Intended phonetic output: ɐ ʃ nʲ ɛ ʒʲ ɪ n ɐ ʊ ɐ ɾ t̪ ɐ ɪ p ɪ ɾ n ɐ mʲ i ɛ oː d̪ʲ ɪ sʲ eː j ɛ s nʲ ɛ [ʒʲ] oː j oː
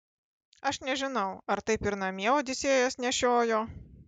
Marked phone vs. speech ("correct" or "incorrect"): incorrect